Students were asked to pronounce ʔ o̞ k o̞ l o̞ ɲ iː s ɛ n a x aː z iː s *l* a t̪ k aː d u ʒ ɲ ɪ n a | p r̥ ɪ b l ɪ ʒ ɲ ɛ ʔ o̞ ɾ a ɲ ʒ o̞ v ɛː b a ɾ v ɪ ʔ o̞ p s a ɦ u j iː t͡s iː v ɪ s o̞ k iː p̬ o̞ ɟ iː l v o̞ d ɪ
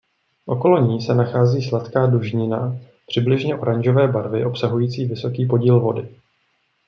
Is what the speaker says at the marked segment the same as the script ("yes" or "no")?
yes